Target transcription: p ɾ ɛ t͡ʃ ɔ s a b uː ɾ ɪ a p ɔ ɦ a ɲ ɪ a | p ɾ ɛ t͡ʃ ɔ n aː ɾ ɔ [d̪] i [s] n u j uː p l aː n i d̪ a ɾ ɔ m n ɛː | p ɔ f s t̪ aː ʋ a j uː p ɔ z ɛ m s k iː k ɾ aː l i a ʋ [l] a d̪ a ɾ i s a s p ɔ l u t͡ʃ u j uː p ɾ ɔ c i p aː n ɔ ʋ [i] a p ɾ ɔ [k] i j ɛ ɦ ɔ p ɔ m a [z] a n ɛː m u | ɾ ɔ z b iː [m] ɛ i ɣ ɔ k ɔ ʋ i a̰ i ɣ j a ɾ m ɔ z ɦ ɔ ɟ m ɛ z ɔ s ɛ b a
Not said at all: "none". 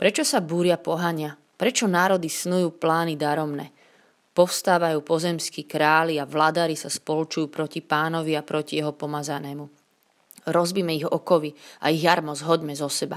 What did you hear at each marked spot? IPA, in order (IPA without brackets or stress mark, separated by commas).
d̪, s, l, i, c, z, m